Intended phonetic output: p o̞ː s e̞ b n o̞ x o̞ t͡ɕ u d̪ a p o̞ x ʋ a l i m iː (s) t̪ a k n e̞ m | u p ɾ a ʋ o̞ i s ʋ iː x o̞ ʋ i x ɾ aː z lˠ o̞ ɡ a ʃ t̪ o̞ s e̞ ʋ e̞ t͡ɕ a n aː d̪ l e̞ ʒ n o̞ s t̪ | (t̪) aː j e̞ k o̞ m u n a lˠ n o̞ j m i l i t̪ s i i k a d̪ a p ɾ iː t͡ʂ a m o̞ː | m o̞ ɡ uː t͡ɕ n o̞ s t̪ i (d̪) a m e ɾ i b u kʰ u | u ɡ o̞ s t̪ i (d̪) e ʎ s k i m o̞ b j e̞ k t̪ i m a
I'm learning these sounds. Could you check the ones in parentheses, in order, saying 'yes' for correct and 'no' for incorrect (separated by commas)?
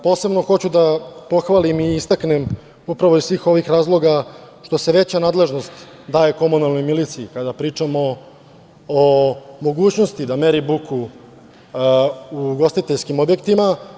yes, no, yes, no